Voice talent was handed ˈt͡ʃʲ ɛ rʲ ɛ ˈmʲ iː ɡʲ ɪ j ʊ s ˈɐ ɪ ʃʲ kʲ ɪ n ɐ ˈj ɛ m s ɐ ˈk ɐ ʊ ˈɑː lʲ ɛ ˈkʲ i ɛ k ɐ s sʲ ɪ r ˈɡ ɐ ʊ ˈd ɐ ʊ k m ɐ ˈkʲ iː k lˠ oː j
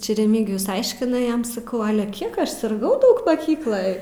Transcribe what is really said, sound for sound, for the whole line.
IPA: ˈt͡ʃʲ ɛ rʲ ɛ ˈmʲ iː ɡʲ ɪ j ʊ s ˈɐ ɪ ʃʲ kʲ ɪ n ɐ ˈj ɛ m s ɐ ˈk ɐ ʊ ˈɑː lʲ ɛ ˈkʲ i ɛ k ɐ ʃ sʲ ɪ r ˈɡ ɐ ʊ ˈd ɐ ʊ k m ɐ ˈkʲ iː k lˠ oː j